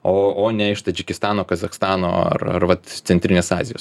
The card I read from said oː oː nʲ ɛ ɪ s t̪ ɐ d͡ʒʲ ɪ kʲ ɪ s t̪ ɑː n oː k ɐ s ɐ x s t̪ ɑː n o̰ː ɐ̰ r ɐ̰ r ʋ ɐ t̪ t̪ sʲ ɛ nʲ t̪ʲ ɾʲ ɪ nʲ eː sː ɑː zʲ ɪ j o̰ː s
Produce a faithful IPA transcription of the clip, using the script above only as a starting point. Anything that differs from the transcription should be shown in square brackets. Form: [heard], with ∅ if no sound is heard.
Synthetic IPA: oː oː nʲ ɛ ɪ [ʃ] t̪ ɐ d͡ʒʲ ɪ kʲ ɪ s t̪ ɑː n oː k ɐ [z] ɐ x s t̪ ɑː n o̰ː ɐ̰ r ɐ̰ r ʋ ɐ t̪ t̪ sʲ ɛ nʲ t̪ʲ ɾʲ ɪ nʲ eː [s] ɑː zʲ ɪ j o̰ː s